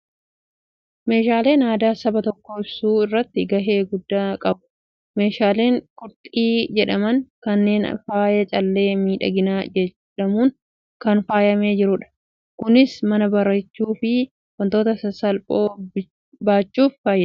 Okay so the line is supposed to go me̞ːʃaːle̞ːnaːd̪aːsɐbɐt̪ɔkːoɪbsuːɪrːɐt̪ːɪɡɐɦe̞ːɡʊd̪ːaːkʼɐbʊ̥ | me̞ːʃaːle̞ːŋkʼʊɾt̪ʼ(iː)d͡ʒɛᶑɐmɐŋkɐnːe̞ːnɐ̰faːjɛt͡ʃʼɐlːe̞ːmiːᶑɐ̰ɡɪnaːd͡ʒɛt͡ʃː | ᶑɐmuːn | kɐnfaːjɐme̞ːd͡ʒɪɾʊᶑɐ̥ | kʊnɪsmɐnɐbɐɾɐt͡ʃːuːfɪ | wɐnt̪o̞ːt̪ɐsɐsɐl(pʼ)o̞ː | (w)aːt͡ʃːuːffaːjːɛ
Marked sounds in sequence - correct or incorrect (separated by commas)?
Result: correct, correct, incorrect